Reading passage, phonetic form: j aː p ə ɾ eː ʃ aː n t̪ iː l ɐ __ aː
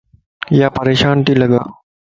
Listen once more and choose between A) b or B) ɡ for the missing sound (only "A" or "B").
B